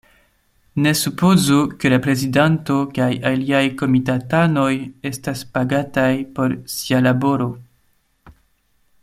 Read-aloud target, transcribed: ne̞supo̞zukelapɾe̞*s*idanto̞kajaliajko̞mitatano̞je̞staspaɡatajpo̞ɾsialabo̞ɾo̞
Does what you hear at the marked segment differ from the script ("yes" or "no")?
yes